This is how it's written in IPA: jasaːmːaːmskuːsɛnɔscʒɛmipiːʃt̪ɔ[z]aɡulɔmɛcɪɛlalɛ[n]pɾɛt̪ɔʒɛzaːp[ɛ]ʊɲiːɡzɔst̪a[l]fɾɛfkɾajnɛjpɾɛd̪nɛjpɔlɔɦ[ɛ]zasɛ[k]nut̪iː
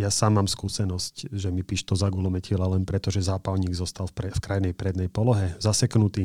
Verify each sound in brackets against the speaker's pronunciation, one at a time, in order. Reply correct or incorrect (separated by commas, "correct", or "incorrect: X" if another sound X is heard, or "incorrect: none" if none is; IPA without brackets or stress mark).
correct, correct, incorrect: a, correct, correct, correct